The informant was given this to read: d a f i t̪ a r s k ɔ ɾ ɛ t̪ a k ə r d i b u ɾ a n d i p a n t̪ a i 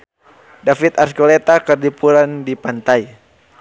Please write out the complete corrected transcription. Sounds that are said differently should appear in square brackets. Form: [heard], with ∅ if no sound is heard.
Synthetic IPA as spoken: d a f i t̪ a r s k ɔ [l] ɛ t̪ a k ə r d i [p] u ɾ a n d i p a n t̪ a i